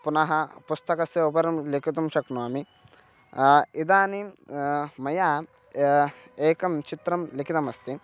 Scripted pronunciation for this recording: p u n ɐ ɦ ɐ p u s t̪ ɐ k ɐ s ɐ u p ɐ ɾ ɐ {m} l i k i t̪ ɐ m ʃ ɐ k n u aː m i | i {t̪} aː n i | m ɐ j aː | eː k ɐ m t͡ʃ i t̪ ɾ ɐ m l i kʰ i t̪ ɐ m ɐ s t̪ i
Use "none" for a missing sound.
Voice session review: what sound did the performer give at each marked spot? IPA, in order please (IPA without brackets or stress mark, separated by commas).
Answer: m, d̪